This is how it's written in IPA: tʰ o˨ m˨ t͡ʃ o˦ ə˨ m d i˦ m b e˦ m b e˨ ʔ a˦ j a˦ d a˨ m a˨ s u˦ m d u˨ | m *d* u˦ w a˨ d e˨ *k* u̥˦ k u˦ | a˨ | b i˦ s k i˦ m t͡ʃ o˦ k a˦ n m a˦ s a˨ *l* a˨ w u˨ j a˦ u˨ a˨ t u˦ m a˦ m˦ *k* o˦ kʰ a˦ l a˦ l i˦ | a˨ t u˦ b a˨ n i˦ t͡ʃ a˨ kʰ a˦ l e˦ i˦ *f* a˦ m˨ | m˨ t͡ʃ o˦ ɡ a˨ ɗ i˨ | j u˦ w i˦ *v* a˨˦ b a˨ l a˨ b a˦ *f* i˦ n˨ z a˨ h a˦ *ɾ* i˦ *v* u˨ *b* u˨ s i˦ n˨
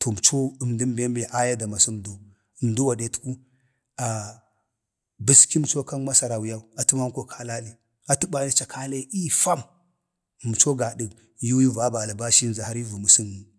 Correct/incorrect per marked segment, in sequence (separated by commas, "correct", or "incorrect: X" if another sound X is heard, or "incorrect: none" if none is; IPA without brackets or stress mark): correct, incorrect: t, incorrect: ɾ, correct, correct, correct, incorrect: ʃ, correct, correct, incorrect: m